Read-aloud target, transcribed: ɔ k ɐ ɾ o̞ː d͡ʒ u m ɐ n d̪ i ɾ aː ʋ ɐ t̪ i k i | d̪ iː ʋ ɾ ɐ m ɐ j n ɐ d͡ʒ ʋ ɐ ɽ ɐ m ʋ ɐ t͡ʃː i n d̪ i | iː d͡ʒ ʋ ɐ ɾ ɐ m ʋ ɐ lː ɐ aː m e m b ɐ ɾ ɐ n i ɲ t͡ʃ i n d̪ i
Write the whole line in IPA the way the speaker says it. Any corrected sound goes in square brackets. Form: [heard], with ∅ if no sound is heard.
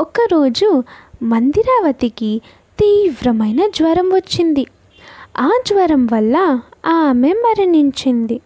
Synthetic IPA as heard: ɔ k ɐ ɾ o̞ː d͡ʒ u m ɐ n d̪ i ɾ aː ʋ ɐ t̪ i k i | [t̪] iː ʋ ɾ ɐ m ɐ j n ɐ d͡ʒ ʋ ɐ [ɾ] ɐ m ʋ ɐ t͡ʃː i n d̪ i | [aː] d͡ʒ ʋ ɐ ɾ ɐ m ʋ ɐ lː ɐ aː m e m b ɐ ɾ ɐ n i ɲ t͡ʃ i n d̪ i